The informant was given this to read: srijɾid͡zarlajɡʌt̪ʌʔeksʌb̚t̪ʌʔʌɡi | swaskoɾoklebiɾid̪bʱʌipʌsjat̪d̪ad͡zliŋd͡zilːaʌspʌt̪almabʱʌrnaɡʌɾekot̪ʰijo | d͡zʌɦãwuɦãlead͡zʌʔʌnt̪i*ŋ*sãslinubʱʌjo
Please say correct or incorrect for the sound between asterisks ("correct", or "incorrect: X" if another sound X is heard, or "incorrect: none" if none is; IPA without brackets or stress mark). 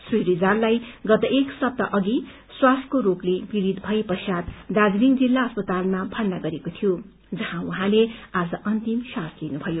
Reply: incorrect: m